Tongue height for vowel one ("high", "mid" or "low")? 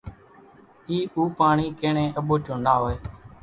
high